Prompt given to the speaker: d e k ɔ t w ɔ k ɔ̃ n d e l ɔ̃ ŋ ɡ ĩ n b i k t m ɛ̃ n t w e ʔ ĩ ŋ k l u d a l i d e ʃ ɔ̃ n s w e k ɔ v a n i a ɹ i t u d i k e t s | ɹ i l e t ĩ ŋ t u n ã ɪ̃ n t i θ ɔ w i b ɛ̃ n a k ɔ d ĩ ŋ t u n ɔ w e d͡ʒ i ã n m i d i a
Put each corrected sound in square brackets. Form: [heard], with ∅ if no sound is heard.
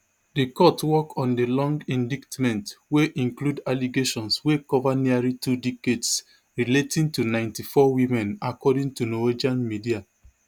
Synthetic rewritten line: d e k ɔ t w ɔ k ɔ̃ n d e l ɔ̃ ŋ ɡ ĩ n [d] i k t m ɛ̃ n t w e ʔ ĩ ŋ k l u d a l i [ɡ] e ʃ ɔ̃ n s w e k ɔ v a n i a ɹ i t u d i k e t s | ɹ i l e t ĩ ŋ t u n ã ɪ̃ n t i [f] ɔ w i [m] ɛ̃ n a k ɔ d ĩ ŋ t u n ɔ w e d͡ʒ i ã n m i d i a